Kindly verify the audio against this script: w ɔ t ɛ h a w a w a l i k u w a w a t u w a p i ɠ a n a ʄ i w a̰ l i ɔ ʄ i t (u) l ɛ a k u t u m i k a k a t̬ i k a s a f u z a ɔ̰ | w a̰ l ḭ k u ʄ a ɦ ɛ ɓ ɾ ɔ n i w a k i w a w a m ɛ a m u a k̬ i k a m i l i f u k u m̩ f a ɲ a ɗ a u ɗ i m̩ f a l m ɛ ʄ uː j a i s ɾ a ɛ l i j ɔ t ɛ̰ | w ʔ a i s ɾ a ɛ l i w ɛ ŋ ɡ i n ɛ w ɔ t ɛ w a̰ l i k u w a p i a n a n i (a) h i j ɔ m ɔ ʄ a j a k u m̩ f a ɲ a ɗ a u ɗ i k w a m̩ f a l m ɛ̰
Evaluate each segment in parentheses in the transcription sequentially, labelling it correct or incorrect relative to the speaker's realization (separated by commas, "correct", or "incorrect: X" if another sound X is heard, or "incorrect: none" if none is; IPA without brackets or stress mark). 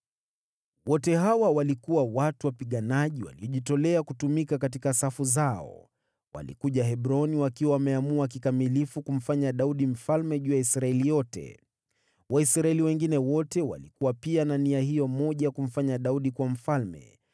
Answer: incorrect: ɔ, correct